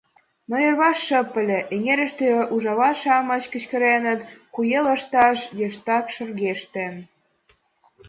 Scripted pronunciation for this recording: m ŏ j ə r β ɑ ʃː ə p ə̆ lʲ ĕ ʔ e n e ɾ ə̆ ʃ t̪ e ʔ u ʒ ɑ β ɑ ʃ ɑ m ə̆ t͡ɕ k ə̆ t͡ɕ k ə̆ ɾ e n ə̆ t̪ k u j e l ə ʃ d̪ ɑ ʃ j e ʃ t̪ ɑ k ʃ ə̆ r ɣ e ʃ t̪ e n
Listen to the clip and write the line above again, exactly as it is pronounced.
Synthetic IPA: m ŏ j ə r β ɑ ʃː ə p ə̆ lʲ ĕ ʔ e ŋ e ɾ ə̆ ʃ t̪ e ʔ u ʒ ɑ β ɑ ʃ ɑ m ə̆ t͡ɕ k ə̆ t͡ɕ k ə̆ ɾ e n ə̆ t̪ k u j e l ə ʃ t̪ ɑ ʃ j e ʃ t̪ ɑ k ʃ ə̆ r ɣ e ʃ t̪ e n